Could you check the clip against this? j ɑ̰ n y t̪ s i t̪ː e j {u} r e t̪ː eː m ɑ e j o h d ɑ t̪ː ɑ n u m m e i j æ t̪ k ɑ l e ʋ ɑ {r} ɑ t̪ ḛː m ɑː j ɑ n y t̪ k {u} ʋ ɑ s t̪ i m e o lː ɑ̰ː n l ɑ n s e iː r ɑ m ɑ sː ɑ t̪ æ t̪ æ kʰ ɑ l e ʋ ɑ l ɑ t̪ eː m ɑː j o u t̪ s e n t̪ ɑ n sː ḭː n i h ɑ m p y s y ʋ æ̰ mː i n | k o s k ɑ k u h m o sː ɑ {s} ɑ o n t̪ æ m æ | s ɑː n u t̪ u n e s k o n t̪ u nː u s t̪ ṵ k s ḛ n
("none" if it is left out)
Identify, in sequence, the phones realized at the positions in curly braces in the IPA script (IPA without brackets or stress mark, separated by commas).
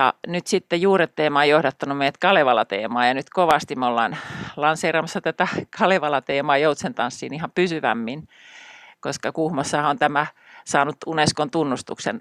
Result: uː, l, o, h